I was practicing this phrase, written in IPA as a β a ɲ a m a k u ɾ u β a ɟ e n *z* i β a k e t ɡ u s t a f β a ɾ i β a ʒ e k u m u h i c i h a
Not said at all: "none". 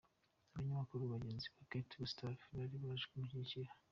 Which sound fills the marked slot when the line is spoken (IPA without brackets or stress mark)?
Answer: z